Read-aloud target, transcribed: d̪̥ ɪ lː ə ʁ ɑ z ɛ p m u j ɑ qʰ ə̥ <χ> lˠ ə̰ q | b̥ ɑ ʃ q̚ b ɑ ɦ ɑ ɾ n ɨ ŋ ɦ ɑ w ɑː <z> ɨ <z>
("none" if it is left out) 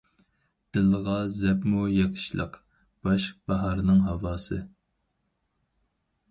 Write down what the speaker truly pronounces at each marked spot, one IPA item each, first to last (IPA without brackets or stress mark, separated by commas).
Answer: ʃ, s, none